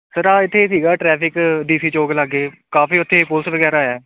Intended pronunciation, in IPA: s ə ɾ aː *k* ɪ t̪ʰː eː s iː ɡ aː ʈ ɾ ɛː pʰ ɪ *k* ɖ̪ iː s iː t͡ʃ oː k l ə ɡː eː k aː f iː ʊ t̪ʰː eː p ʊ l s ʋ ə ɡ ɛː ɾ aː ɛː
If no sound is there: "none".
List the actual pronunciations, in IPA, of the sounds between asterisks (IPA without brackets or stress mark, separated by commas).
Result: none, k